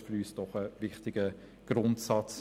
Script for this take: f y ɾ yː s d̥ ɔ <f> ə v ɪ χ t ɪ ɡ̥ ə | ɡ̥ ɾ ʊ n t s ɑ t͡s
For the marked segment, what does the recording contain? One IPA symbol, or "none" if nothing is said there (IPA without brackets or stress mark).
χ